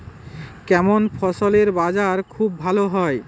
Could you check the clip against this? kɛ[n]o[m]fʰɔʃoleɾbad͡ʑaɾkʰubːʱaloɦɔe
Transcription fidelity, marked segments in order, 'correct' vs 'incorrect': incorrect: m, incorrect: n

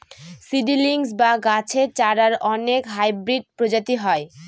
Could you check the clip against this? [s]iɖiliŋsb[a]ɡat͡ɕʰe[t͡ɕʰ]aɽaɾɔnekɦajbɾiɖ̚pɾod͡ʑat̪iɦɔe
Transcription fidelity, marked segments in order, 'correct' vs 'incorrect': correct, correct, incorrect: t͡ɕ

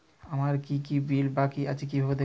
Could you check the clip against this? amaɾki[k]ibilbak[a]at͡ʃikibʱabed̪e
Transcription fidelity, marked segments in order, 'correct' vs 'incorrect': correct, incorrect: i

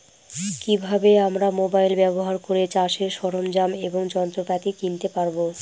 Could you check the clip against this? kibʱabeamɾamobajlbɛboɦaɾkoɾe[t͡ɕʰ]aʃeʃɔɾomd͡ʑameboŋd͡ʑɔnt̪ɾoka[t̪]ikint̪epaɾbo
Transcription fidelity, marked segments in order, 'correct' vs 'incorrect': incorrect: t͡ɕ, correct

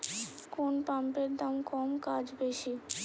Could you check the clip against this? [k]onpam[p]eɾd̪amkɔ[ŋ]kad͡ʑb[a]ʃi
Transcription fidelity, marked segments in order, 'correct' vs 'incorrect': correct, correct, incorrect: m, incorrect: e

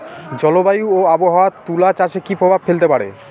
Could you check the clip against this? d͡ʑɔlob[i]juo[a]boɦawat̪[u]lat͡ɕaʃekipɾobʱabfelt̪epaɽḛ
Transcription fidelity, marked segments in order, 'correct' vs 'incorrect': incorrect: a, correct, correct

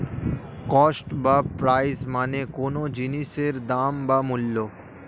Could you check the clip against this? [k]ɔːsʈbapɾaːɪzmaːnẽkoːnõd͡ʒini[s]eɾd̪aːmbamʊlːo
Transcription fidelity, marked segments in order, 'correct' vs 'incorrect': correct, correct

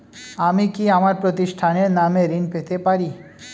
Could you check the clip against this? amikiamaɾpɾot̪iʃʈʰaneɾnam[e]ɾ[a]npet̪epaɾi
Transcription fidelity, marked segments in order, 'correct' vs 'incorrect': correct, incorrect: i

